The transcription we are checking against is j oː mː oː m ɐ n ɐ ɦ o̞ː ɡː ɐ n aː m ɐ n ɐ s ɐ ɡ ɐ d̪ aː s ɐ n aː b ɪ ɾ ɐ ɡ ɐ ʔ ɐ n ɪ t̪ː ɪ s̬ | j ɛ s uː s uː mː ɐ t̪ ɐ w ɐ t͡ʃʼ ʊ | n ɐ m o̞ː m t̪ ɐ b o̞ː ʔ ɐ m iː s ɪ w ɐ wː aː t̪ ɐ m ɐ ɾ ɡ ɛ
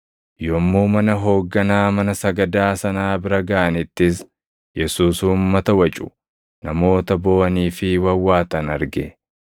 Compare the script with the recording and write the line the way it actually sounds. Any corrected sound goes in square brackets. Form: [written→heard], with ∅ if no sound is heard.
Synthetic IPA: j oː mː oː m ɐ n ɐ ɦ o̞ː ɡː ɐ n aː m ɐ n ɐ s ɐ ɡ ɐ d̪ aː s ɐ n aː b ɪ ɾ ɐ ɡ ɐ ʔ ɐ n ɪ t̪ː ɪ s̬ | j ɛ s uː s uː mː ɐ t̪ ɐ w ɐ t͡ʃʼ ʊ | n ɐ m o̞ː [m→∅] t̪ ɐ b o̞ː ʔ ɐ [m→n] iː [s→f] ɪ w ɐ wː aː t̪ ɐ [m→n] ɐ ɾ ɡ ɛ